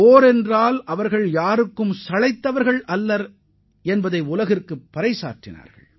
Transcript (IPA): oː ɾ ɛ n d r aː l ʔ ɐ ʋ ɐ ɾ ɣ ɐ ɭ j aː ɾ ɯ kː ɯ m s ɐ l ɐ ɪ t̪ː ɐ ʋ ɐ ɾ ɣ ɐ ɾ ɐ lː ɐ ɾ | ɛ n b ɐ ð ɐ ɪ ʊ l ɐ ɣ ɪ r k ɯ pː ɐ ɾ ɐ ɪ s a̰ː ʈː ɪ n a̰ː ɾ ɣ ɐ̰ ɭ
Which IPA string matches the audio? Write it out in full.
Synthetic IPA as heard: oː ɾ ɛ n d r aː l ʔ ɐ ʋ ɐ ɾ ɣ ɐ ɭ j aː ɾ ɯ kː ɯ m s ɐ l ɐ ɪ t̪ː ɐ ʋ ɐ ɾ ɣ ɐ ɭ ɐ lː ɐ ɾ | ɛ n b ɐ ð ɐ ɪ ʊ l ɐ ɣ ɪ r k ɯ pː ɐ ɾ ɐ ɪ s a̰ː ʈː ɪ n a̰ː ɾ ɣ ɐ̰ ɭ